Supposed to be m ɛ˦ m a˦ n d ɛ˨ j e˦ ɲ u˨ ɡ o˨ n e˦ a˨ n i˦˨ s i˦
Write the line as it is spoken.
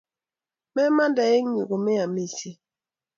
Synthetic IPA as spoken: m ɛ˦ m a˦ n d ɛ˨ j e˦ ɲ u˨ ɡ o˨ m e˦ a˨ m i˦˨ s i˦